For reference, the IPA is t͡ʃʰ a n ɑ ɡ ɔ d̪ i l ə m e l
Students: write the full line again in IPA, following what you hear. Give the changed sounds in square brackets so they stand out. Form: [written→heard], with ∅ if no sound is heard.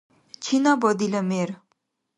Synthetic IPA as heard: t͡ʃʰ [a→i] n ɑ [ɡ→b] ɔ d̪ i l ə m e [l→ɾ]